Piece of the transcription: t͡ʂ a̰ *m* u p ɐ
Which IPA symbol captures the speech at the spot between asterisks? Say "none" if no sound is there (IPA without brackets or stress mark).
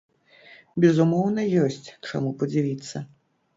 m